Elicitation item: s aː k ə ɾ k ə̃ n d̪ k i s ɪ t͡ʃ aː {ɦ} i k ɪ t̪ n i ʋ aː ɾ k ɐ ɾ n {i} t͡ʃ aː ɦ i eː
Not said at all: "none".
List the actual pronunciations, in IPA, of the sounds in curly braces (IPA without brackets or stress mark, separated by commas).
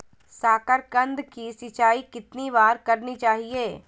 none, i